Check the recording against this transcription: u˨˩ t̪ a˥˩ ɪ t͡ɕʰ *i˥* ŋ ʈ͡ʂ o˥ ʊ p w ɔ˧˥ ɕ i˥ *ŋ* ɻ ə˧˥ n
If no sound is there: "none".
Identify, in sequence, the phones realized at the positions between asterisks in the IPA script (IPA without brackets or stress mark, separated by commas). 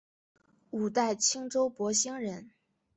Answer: i˥, ŋ